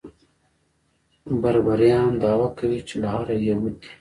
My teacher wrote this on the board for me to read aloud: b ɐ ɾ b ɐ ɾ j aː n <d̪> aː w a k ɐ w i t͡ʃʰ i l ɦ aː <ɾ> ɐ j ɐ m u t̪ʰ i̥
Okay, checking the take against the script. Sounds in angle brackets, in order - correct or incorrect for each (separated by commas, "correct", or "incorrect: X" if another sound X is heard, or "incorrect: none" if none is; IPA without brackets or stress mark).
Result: correct, correct